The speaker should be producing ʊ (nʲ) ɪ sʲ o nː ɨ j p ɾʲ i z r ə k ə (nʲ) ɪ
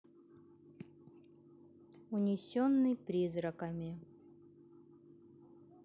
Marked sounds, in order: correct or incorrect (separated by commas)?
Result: correct, incorrect